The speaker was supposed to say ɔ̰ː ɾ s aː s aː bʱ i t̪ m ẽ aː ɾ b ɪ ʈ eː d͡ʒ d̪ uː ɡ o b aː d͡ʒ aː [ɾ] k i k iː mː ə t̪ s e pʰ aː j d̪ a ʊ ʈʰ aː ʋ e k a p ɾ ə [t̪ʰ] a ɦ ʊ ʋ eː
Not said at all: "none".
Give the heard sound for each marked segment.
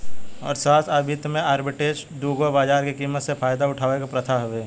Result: ɾ, t̪ʰ

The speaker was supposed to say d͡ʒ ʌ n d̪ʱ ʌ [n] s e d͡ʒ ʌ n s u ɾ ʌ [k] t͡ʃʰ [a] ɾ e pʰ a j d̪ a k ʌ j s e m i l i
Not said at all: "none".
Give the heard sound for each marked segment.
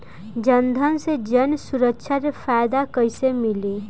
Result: n, k, a

